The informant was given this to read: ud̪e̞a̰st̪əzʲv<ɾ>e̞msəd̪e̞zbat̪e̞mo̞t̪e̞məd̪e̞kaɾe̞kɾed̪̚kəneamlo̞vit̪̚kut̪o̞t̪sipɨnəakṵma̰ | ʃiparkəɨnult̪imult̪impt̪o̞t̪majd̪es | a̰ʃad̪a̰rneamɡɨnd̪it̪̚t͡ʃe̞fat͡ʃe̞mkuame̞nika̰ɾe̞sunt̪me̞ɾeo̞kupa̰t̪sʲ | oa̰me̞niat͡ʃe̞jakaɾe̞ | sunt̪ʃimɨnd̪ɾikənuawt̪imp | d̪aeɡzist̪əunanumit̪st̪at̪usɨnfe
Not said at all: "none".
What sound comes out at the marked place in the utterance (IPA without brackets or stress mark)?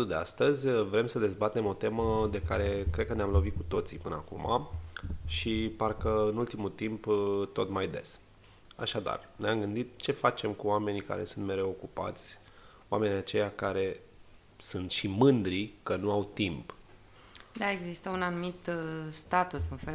ɾ